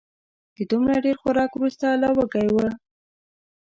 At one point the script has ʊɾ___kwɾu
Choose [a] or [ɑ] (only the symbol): ɑ